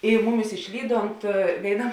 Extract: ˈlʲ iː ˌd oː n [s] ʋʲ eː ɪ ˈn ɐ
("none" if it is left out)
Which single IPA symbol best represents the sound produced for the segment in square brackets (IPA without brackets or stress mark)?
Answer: t